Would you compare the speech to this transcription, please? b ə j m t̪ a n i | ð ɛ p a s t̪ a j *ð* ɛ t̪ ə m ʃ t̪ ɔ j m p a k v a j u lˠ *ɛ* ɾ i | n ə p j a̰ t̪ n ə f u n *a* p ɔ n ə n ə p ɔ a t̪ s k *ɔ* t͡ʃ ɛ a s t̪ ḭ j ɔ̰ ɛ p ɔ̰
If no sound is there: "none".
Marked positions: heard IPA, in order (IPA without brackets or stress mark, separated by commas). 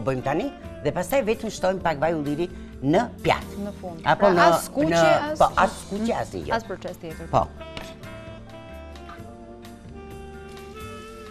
v, i, a, u